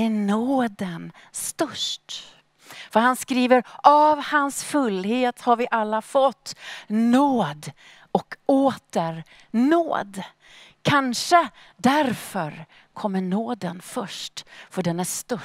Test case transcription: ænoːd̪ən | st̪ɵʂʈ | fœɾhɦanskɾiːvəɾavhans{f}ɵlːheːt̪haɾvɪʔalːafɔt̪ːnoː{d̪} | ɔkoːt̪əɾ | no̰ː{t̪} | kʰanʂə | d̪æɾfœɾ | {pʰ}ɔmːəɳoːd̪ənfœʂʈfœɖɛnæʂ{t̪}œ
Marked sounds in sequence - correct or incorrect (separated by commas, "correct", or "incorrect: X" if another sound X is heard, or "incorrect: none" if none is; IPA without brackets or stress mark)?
correct, correct, incorrect: d̪, incorrect: kʰ, correct